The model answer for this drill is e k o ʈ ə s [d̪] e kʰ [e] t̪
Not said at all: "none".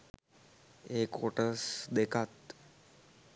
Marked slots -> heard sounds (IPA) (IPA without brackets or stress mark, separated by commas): d̪, a